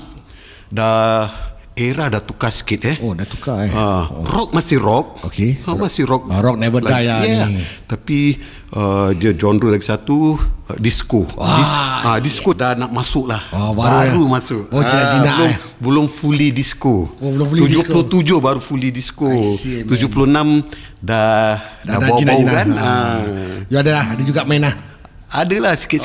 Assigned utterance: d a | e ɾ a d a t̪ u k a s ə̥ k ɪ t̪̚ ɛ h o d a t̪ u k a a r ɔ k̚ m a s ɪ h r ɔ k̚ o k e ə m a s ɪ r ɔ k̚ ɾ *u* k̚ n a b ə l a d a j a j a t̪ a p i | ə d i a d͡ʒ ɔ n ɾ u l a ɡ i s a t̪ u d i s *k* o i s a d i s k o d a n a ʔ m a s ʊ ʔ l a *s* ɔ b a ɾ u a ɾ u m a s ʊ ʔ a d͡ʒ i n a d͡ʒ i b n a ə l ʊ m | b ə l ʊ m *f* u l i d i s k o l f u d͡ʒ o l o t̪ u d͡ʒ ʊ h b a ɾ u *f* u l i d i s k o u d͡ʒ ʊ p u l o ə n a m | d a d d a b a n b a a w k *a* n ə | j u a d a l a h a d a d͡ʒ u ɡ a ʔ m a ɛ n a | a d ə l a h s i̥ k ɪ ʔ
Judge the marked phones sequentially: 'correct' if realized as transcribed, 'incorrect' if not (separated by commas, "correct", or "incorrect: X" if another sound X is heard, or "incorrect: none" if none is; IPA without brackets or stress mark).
incorrect: ɔ, correct, incorrect: h, correct, correct, correct